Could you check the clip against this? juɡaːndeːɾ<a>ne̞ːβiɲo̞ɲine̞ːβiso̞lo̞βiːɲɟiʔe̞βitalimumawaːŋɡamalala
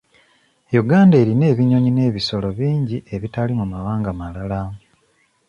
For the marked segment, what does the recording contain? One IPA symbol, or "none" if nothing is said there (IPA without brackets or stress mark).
i